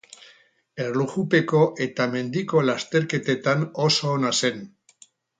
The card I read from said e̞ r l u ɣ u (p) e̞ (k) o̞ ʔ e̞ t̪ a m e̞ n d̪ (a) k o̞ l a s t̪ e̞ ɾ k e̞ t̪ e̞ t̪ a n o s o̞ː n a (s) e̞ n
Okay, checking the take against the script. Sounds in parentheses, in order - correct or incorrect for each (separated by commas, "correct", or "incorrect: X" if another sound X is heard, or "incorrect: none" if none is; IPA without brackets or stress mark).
correct, correct, incorrect: i, correct